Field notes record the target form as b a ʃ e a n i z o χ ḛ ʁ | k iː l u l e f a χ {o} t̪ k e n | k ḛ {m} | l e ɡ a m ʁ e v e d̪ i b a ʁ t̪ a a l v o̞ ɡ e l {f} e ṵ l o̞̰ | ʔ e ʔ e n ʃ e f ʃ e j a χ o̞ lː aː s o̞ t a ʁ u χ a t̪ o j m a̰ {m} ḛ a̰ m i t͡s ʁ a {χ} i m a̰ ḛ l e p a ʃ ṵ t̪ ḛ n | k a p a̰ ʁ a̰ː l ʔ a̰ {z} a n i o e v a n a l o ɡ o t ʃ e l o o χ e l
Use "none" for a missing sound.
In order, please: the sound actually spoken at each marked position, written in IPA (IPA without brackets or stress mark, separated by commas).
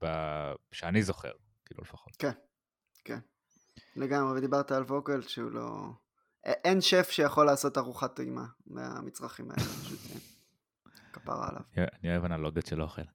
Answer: o, n, ʃ, m, χ, v